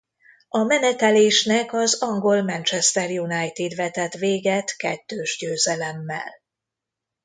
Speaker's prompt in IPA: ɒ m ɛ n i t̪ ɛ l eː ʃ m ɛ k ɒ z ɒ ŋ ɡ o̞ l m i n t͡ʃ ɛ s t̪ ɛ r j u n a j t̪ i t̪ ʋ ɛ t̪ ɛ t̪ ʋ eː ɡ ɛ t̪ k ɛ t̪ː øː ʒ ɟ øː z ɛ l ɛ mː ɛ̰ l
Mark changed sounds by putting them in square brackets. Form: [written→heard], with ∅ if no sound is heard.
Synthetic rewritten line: ɒ m ɛ n [i→ɛ] t̪ ɛ l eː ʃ [m→n] ɛ k ɒ z ɒ ŋ ɡ o̞ l m [i→ɛ] n t͡ʃ ɛ s t̪ ɛ r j u n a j t̪ i [t̪→d̪] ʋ ɛ t̪ ɛ t̪ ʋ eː ɡ ɛ t̪ k ɛ t̪ː øː ʒ ɟ øː z ɛ l ɛ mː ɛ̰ l

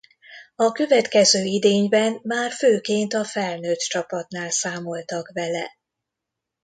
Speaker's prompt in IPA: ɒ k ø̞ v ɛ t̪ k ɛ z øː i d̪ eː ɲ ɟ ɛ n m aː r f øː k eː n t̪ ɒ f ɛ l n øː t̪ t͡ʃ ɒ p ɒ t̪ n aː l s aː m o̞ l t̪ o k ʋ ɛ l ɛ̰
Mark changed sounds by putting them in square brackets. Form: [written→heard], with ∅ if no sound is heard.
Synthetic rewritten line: ɒ k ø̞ v ɛ t̪ k ɛ z øː i d̪ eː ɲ [ɟ→b] ɛ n m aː r f øː k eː n t̪ ɒ f ɛ l n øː t̪ t͡ʃ ɒ p ɒ t̪ n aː l s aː m o̞ l t̪ [o→ɒ] k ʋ ɛ l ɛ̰

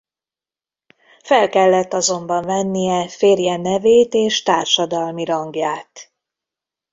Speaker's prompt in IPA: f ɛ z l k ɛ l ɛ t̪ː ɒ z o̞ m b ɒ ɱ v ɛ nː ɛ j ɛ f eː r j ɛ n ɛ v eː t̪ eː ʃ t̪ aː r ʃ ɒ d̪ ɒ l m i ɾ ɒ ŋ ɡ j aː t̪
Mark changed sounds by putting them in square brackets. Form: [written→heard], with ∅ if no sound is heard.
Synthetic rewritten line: f ɛ [z→∅] l k ɛ [l→lː] ɛ t̪ː ɒ z o̞ m b ɒ ɱ v ɛ nː [ɛ→i] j ɛ f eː r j ɛ n ɛ v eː t̪ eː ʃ t̪ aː r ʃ ɒ d̪ ɒ l m i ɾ ɒ ŋ ɡ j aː t̪

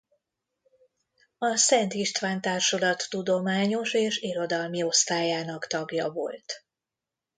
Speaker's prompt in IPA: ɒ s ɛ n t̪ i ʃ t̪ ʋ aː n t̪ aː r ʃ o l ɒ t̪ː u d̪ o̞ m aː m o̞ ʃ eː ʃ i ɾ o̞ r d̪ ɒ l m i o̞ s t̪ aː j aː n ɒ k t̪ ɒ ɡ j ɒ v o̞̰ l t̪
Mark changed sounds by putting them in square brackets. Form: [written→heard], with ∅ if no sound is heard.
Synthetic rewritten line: ɒ s ɛ n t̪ i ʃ t̪ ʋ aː n t̪ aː r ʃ o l ɒ t̪ː u d̪ o̞ m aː [m→ɲ] o̞ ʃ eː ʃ i ɾ o̞ [r→∅] d̪ ɒ l m i o̞ s t̪ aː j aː n ɒ k t̪ ɒ ɡ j ɒ v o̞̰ l t̪

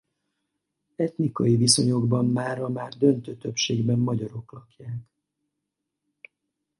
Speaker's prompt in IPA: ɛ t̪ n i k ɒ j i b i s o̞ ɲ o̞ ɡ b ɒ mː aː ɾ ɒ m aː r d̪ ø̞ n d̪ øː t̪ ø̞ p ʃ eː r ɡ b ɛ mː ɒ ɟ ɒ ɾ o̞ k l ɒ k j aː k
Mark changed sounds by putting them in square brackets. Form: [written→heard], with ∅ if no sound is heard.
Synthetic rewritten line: ɛ t̪ n i k ɒ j i [b→v] i s o̞ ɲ o̞ ɡ b ɒ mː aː ɾ ɒ m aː r d̪ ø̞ n [d̪→t̪] øː t̪ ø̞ p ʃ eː [r→∅] ɡ b ɛ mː ɒ ɟ ɒ ɾ o̞ k l ɒ k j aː k

